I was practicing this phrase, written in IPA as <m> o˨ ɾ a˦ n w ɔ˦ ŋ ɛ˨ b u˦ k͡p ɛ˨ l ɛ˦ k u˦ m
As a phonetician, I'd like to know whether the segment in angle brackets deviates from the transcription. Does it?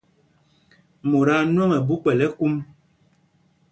no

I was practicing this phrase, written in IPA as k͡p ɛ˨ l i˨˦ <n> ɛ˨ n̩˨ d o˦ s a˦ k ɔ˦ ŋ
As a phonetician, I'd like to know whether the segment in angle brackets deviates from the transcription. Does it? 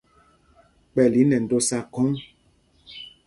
no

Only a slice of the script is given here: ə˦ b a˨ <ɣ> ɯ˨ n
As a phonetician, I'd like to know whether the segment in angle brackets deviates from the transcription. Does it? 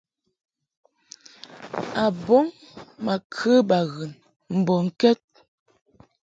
no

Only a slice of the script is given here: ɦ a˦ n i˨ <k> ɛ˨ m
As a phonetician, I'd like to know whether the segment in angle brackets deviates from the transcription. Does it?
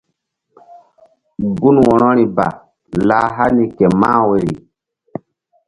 no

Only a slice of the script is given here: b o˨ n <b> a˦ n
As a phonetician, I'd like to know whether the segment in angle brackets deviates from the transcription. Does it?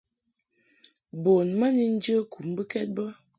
yes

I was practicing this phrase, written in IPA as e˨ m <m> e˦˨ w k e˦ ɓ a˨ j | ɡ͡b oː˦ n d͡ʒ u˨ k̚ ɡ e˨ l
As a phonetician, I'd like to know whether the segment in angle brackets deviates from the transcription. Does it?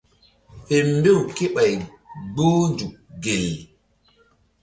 yes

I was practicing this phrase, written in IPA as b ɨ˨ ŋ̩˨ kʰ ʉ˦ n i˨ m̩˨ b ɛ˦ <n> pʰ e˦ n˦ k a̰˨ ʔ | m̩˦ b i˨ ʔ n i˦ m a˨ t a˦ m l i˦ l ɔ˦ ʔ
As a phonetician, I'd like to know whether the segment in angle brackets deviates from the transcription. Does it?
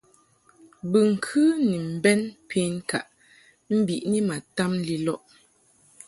no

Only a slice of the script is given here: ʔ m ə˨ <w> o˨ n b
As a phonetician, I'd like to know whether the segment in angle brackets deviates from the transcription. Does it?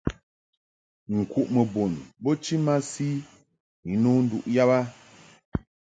yes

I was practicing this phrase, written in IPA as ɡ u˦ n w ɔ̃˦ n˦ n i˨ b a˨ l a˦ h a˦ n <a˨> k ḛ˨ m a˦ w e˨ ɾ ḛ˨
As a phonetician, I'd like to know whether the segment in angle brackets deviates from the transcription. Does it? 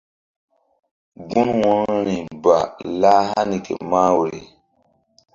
yes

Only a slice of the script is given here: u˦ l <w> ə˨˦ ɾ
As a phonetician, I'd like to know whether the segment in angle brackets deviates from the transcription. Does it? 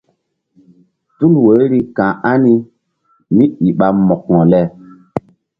no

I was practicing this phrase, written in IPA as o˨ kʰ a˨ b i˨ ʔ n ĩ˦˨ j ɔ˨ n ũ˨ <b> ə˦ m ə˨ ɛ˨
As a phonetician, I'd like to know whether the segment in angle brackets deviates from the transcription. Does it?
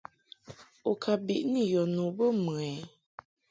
no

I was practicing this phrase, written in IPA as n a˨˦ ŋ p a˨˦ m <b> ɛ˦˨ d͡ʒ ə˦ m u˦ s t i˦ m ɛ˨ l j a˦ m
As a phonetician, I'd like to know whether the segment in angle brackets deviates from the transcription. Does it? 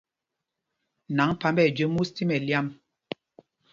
no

